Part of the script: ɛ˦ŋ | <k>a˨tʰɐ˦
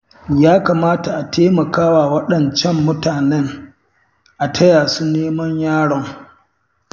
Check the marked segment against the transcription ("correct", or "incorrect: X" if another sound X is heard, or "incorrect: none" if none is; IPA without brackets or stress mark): incorrect: ʔ